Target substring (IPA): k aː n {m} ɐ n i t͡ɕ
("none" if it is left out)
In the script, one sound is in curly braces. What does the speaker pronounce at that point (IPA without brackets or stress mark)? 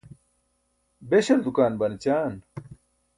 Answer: b